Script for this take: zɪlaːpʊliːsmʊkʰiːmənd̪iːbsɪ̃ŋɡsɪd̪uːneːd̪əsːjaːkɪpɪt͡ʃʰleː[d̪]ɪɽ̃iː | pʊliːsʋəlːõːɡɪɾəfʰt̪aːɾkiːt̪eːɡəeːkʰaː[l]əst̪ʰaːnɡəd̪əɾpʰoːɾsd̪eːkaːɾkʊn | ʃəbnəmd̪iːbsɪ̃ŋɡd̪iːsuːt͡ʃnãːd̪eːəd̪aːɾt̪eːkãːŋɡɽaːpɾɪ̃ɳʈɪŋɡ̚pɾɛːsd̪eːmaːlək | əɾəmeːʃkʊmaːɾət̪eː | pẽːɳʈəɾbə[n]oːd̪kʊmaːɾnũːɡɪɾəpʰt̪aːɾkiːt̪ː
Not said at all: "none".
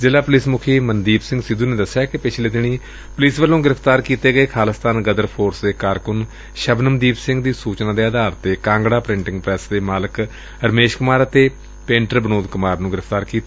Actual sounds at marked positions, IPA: d̪, l, n

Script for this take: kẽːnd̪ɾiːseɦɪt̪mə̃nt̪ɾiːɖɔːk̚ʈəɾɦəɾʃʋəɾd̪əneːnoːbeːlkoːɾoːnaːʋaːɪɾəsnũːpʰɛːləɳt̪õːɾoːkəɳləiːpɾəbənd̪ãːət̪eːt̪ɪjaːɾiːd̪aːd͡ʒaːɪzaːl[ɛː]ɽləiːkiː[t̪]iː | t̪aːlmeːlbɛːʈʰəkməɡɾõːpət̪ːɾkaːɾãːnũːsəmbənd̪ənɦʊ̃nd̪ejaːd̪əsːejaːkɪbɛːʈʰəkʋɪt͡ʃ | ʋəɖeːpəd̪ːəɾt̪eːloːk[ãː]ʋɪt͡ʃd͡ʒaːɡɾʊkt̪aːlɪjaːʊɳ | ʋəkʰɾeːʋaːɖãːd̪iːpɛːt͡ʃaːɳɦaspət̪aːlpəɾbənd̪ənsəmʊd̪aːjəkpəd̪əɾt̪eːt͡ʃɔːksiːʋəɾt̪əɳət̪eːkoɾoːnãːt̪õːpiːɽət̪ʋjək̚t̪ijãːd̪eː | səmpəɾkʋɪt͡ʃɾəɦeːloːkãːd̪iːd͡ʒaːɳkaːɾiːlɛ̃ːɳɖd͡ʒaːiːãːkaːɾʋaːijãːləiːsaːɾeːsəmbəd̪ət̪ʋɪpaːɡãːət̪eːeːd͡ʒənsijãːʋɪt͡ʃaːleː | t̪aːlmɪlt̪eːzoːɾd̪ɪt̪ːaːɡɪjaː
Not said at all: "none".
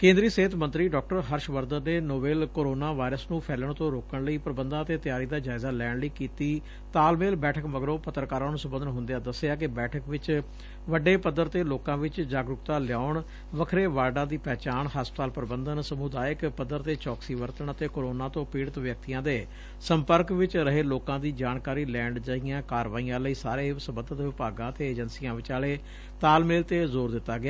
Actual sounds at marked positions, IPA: ɛː, t̪, ãː

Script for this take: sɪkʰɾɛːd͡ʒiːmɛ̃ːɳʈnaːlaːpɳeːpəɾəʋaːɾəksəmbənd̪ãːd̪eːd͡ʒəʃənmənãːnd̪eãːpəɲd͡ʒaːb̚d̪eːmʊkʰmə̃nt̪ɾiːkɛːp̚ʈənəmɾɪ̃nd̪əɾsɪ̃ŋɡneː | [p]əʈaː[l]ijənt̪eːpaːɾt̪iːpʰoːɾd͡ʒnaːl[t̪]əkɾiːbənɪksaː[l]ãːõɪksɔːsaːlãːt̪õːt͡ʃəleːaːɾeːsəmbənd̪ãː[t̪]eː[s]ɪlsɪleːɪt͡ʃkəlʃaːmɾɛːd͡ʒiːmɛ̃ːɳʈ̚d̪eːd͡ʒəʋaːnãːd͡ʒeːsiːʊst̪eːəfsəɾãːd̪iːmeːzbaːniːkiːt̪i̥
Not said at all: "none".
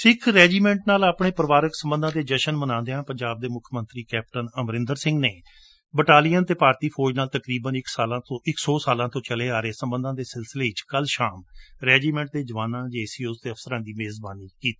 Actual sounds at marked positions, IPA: b, l, t̪, l, d̪, s

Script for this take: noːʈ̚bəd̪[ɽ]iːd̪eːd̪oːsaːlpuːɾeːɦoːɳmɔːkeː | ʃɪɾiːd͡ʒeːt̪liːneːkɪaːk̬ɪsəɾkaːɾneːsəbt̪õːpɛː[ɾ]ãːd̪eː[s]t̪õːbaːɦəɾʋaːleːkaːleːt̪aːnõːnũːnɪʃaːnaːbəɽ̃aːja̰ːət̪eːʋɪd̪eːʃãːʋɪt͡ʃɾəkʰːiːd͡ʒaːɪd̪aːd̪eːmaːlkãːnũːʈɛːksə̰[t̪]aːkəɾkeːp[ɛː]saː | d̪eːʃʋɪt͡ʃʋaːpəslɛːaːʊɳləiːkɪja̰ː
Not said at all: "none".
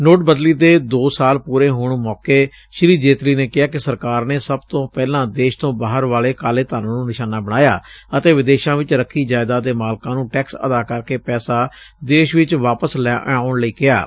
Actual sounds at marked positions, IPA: l, l, ʃ, d̪, ɛː

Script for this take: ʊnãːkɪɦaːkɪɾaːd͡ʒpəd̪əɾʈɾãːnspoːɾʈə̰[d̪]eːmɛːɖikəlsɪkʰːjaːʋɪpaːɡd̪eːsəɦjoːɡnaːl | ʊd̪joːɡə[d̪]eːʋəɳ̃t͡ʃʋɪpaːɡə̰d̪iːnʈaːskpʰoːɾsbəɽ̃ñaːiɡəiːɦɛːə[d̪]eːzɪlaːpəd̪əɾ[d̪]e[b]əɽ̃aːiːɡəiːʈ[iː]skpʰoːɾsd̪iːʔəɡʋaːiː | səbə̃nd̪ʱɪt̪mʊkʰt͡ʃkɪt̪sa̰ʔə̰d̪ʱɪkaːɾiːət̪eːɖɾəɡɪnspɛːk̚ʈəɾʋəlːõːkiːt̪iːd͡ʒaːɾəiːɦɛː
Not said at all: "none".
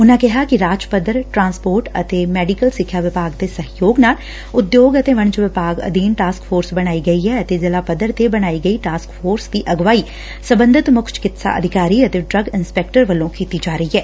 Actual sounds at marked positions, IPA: t̪, t̪, t̪, t̪, b, aː

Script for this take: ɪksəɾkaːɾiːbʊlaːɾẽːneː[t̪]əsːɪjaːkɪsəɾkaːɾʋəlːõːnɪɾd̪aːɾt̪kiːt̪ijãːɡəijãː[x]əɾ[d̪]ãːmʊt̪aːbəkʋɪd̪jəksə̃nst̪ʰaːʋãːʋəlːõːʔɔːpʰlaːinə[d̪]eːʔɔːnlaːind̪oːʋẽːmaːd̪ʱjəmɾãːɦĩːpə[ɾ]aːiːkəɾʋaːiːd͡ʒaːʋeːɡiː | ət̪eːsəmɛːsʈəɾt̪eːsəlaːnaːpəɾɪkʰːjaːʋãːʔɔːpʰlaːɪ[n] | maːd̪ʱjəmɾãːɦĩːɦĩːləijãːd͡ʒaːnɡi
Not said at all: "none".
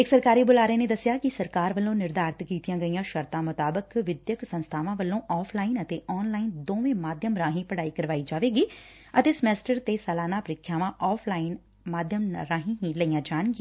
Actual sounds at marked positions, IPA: d̪, ʃ, t̪, t̪, ɽ, n

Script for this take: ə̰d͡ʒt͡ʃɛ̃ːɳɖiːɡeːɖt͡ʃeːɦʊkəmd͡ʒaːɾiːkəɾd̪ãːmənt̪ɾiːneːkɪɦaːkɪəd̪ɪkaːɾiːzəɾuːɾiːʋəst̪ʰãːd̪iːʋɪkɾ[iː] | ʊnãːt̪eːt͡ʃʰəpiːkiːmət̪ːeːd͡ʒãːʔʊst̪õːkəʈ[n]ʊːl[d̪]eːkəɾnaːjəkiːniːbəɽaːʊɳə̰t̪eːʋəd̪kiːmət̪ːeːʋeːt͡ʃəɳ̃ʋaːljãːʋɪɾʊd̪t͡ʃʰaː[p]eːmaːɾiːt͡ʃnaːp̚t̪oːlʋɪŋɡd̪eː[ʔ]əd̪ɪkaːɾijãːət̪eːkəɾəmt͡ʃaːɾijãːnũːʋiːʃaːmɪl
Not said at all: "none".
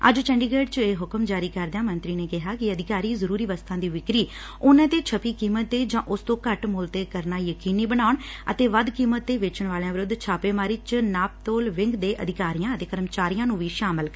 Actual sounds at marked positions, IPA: iː, m, t̪, p, ʔ

